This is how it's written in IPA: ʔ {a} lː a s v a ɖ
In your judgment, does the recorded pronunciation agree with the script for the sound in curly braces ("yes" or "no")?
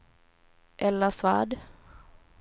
no